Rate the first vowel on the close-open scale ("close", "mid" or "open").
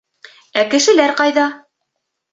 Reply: open